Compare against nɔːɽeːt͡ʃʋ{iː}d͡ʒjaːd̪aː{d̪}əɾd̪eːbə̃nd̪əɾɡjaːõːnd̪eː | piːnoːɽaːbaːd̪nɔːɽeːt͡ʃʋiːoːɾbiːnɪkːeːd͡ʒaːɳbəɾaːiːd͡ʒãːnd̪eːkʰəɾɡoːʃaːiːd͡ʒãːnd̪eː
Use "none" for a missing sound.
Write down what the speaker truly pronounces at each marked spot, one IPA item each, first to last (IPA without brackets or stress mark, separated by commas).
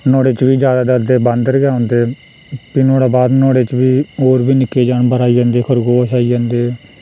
iː, d̪